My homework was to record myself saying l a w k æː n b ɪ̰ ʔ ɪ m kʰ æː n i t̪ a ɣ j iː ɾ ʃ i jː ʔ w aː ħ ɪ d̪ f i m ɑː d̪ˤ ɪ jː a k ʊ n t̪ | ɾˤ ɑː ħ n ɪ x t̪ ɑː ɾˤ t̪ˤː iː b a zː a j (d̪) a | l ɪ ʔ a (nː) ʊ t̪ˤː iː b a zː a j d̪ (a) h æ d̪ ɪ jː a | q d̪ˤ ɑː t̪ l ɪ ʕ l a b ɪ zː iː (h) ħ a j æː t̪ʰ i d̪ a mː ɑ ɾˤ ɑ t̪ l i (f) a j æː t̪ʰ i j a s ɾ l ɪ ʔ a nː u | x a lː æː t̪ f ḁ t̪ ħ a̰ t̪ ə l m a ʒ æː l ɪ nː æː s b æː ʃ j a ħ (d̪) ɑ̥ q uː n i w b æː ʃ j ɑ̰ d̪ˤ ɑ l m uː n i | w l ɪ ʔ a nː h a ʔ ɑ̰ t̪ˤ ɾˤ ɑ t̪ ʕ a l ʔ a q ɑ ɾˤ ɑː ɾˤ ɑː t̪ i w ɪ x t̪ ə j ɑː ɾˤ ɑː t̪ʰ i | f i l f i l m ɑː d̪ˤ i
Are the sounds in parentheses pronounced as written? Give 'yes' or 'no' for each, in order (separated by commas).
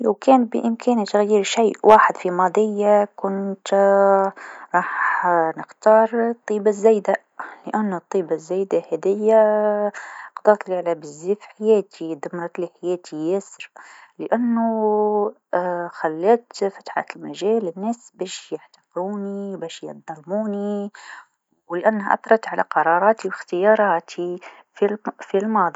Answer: yes, yes, yes, no, no, no